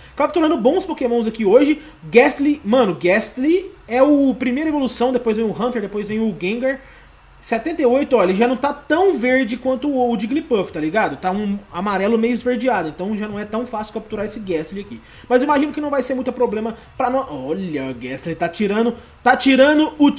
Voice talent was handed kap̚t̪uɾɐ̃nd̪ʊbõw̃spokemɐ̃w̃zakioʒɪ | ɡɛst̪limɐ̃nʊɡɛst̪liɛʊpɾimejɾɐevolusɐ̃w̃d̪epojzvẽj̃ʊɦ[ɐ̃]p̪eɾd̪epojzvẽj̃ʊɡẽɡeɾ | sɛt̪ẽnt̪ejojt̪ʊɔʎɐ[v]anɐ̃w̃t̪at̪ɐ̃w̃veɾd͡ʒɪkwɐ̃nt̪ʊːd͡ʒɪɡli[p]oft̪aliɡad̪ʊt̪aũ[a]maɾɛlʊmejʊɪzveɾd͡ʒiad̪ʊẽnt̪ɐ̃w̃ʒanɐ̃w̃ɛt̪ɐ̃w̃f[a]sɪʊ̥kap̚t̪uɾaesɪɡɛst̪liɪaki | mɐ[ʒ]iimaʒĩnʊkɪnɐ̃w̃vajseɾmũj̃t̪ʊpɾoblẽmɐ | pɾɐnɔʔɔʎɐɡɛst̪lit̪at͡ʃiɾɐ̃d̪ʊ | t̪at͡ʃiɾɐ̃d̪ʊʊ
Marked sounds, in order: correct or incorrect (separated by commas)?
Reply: correct, incorrect, correct, correct, correct, incorrect